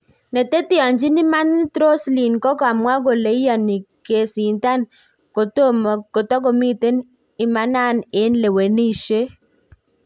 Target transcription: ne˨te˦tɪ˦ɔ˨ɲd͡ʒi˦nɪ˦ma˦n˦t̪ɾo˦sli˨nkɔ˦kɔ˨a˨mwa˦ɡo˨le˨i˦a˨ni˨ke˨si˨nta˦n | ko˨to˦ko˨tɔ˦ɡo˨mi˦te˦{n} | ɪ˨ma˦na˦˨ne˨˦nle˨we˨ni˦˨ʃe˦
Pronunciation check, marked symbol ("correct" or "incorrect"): correct